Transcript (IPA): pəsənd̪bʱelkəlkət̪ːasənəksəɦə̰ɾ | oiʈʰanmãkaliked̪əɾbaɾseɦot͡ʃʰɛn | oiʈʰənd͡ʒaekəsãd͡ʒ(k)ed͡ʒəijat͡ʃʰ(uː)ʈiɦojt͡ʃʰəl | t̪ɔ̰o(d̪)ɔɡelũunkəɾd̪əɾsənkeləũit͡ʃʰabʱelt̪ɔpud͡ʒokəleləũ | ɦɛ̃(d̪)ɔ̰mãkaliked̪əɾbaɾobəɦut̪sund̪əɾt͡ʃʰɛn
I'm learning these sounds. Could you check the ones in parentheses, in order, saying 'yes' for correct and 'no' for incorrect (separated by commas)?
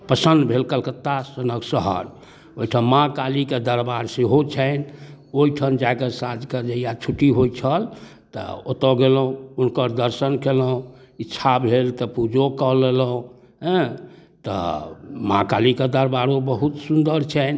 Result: yes, no, no, no